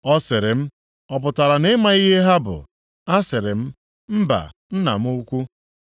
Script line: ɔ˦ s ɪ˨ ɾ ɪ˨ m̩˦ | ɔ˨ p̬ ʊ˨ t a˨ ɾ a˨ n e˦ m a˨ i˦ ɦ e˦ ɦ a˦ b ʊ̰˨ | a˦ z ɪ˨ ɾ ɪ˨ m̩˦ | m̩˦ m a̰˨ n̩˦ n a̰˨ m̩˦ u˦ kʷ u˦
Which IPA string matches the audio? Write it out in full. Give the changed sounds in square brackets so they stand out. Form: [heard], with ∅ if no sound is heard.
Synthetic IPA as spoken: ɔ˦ s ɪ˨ ɾ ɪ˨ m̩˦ | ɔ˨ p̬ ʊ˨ t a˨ ɾ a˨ n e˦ m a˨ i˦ ɦ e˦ ɦ a˦ b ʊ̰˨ | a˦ [s] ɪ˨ ɾ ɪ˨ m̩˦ | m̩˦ [b] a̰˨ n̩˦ n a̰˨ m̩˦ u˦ kʷ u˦